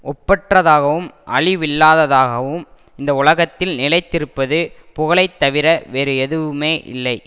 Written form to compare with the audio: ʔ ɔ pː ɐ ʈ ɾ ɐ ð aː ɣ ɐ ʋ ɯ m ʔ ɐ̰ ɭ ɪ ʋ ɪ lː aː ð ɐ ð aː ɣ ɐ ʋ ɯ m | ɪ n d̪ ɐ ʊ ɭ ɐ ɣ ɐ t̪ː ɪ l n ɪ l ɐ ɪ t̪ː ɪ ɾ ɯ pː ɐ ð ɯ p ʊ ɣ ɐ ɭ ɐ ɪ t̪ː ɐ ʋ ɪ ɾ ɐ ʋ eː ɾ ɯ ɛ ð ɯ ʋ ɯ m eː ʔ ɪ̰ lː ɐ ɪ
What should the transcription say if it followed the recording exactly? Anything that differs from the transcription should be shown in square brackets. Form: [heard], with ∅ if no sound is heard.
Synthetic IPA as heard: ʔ ɔ pː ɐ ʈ [r] ɐ ð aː ɣ ɐ ʋ ɯ m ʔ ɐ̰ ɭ ɪ ʋ ɪ lː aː ð ɐ ð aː ɣ ɐ ʋ ɯ m | ɪ n d̪ ɐ ʊ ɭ ɐ ɣ ɐ t̪ː ɪ l n ɪ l ɐ ɪ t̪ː ɪ ɾ ɯ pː ɐ ð ɯ p ʊ ɣ ɐ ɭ ɐ ɪ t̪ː ɐ ʋ ɪ ɾ ɐ ʋ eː ɾ ɯ ɛ ð ɯ ʋ ɯ m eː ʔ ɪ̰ lː ɐ ɪ

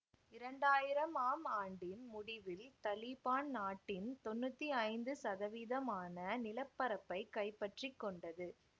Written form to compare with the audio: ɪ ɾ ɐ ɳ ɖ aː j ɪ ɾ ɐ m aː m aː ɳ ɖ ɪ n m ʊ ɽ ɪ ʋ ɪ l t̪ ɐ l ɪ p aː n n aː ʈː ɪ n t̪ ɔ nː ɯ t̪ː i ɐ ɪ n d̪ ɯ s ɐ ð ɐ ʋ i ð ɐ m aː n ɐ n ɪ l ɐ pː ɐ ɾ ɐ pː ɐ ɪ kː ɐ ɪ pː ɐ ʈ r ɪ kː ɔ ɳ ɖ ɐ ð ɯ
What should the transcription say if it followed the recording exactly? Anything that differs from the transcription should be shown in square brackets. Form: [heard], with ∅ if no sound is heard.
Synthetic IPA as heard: ɪ ɾ ɐ ɳ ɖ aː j ɪ ɾ ɐ m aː m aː ɳ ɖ ɪ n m ʊ ɽ ɪ ʋ ɪ l t̪ ɐ l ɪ p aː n n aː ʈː ɪ n t̪ ɔ nː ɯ t̪ː i ɐ ɪ n d̪ ɯ s ɐ ð ɐ ʋ i ð ɐ m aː n ɐ n ɪ l ɐ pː ɐ ɾ ɐ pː ɐ ɪ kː ɐ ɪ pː ɐ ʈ r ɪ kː ɔ ɳ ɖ ɐ ð ɯ

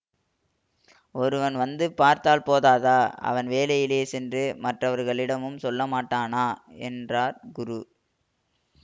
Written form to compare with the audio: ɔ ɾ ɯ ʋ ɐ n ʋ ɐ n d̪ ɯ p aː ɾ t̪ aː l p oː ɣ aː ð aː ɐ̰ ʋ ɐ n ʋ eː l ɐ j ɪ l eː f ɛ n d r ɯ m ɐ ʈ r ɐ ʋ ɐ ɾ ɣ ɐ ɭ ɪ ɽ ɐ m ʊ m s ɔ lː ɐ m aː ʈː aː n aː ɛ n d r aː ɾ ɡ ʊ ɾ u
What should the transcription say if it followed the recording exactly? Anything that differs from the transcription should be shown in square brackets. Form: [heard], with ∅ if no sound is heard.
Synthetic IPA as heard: ɔ ɾ ɯ ʋ ɐ n ʋ ɐ n d̪ ɯ p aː ɾ t̪ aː l p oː [ð] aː ð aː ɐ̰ ʋ ɐ n ʋ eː l ɐ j ɪ l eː [s] ɛ n d r ɯ m ɐ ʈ r ɐ ʋ ɐ ɾ ɣ ɐ ɭ ɪ ɽ ɐ m [ɯ] m s ɔ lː ɐ m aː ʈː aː n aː ɛ n d r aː ɾ ɡ ʊ ɾ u

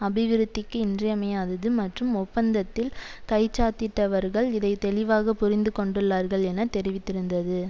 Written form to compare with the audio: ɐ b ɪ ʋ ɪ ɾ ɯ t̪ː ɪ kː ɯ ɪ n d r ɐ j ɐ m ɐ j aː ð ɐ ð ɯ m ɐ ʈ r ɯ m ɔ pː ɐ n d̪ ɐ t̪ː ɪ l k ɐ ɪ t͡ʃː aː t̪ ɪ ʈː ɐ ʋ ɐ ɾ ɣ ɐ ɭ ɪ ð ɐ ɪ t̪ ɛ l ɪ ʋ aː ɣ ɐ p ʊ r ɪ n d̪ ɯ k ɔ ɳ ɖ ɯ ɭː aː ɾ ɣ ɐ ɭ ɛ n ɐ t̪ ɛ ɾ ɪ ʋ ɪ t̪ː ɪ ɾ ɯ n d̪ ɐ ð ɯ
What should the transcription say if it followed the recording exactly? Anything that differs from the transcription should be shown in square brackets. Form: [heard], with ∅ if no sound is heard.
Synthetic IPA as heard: ɐ b ɪ ʋ ɪ ɾ ɯ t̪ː ɪ kː ɯ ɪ n d r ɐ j ɐ m ɐ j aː ð ɐ ð ɯ m ɐ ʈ r ɯ m ɔ pː ɐ n d̪ ɐ t̪ː ɪ l k ɐ ɪ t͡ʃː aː t̪ ɪ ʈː ɐ ʋ ɐ ɾ ɣ ɐ ɭ ɪ ð ɐ ɪ t̪ ɛ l ɪ ʋ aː ɣ ɐ p ʊ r ɪ n d̪ ɯ k ɔ ɳ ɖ ɯ ɭː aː ɾ ɣ ɐ ɭ ɛ n ɐ t̪ ɛ ɾ ɪ ʋ ɪ t̪ː ɪ ɾ ɯ n d̪ ɐ ð ɯ

